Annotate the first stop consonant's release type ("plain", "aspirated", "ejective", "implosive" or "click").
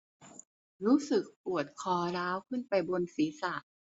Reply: plain